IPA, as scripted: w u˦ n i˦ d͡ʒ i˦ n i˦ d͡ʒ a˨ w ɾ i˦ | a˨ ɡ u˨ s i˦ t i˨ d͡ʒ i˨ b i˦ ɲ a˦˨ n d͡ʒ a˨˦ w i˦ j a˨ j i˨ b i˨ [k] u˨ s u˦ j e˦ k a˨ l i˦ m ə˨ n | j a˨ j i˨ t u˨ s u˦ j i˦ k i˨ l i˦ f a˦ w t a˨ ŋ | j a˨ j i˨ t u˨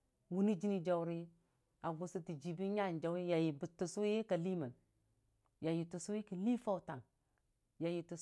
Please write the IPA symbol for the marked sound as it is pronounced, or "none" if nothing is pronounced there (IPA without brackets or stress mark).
t